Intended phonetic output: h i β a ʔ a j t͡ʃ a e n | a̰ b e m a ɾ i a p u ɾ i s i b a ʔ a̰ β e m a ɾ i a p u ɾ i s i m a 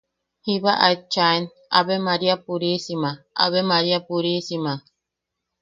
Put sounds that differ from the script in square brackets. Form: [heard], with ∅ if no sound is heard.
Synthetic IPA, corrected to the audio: h i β a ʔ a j t͡ʃ a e n | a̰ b e m a ɾ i a p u ɾ i s i [m] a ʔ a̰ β e m a ɾ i a p u ɾ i s i m a